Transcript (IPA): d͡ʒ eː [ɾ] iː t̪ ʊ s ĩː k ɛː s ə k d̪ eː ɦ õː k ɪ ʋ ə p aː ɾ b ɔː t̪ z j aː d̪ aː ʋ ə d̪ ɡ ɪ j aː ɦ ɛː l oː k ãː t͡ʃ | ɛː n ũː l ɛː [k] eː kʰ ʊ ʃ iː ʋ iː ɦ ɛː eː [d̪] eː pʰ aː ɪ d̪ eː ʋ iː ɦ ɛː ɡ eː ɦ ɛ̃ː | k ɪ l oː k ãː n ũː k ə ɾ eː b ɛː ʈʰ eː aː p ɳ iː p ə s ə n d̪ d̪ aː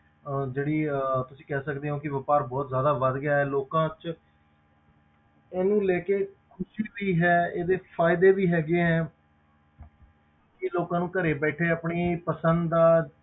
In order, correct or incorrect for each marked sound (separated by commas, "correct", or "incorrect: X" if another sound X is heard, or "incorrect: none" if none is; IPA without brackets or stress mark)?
incorrect: ɽ, correct, correct